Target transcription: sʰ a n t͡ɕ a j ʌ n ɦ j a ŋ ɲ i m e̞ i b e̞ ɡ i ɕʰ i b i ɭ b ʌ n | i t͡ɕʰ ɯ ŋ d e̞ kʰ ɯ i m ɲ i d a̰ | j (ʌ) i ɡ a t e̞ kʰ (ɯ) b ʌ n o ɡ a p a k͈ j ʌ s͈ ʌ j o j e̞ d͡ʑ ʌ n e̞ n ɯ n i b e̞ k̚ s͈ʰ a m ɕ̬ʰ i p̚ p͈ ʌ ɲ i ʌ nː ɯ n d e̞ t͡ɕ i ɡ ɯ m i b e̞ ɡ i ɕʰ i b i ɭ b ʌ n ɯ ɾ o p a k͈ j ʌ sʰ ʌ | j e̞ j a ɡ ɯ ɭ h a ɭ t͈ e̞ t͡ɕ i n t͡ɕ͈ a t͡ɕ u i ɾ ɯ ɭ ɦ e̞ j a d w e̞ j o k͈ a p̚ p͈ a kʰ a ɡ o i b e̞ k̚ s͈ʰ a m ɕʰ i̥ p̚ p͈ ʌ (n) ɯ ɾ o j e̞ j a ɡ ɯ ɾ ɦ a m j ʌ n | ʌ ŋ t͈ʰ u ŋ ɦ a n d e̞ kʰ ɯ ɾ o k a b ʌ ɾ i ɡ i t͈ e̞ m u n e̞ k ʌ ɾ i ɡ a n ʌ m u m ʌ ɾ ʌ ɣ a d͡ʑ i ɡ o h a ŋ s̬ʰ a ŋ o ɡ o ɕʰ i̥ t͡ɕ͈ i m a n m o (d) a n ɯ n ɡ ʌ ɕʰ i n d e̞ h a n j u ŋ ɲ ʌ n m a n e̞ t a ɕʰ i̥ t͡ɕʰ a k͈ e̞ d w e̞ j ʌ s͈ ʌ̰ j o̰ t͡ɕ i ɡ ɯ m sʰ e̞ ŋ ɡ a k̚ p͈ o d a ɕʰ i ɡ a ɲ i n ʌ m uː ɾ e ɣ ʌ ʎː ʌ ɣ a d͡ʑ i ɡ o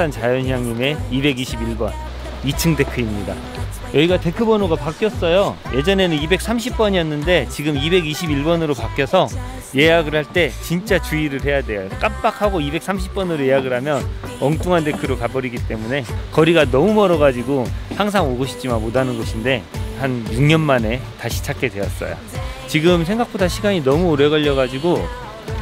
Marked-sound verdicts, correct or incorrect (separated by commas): correct, correct, correct, correct